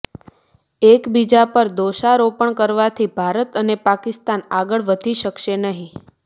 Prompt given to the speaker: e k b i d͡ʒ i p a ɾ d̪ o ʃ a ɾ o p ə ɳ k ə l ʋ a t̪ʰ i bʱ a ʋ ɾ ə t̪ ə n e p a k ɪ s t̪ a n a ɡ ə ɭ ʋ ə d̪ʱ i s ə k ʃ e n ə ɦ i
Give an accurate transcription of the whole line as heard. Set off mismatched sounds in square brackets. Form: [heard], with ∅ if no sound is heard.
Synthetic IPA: e k b i d͡ʒ [a] p [ə] ɾ d̪ o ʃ a ɾ o p ə ɳ k ə [ɾ] ʋ a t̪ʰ i bʱ a [∅] ɾ ə t̪ ə n e p a k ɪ s t̪ a n a ɡ ə ɭ ʋ ə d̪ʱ i [ʃ] ə k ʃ e n ə ɦ [ĩ]